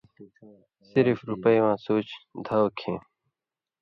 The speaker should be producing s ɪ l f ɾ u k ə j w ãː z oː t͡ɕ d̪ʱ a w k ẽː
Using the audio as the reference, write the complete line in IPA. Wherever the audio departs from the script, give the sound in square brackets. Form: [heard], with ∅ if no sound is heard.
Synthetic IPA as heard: s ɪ [ɾ] f ɾ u [p] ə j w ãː [s] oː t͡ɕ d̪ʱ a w [kʰ] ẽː